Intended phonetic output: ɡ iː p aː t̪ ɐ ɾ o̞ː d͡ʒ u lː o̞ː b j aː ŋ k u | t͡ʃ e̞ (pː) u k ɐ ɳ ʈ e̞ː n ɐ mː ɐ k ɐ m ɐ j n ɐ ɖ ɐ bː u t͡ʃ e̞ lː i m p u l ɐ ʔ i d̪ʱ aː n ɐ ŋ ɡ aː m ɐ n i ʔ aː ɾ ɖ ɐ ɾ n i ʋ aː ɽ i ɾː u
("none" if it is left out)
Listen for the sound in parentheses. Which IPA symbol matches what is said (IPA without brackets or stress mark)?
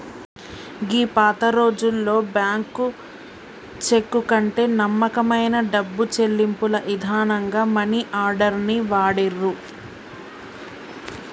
kː